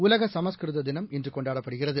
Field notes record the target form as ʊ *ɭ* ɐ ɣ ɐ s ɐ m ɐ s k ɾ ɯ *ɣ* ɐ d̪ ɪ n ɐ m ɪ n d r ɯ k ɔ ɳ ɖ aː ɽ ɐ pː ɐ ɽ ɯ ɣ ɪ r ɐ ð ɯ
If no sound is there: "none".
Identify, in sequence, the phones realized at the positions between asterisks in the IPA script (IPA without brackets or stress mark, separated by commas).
l, ð